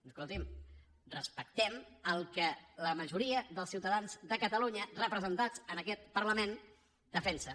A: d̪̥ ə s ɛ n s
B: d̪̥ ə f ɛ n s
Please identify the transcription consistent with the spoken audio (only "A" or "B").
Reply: B